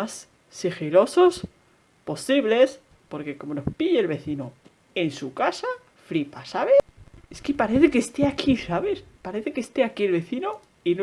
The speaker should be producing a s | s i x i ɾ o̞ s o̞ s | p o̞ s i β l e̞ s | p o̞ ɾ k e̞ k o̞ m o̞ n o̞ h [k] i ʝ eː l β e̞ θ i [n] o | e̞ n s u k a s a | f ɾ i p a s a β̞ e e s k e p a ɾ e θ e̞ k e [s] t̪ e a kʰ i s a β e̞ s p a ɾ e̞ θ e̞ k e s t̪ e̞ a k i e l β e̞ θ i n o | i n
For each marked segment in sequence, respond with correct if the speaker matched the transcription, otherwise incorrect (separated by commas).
incorrect, correct, correct